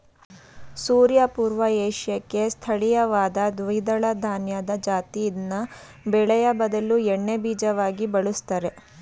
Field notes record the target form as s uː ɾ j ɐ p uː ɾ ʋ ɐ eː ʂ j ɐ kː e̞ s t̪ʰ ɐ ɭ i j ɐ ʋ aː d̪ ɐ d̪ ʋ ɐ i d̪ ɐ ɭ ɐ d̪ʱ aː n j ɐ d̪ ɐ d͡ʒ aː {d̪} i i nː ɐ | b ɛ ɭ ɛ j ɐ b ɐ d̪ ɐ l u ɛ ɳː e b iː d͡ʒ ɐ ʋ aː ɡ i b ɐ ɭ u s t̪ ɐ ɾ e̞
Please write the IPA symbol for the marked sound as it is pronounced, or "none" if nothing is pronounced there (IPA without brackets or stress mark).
t̪